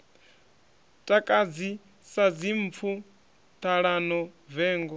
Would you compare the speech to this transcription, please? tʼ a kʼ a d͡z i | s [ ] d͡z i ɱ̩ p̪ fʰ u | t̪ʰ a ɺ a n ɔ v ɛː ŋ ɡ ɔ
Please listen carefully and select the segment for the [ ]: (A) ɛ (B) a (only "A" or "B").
B